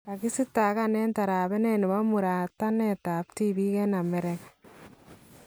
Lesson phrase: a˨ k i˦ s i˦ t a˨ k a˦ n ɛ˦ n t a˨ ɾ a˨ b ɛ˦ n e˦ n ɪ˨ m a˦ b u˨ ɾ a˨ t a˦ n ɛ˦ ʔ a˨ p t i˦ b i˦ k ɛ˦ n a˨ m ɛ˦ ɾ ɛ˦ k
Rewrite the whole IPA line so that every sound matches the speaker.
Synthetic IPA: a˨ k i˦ s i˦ t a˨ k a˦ n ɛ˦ n t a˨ ɾ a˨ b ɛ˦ n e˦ n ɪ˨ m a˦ m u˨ ɾ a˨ t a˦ n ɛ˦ t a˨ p t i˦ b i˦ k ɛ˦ n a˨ m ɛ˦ ɾ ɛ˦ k